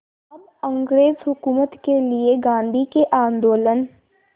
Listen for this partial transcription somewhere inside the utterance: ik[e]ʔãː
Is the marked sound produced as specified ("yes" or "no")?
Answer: yes